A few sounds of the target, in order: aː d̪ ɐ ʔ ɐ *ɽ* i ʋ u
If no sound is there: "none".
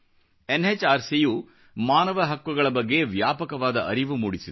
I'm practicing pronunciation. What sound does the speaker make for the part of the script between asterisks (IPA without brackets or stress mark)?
ɾ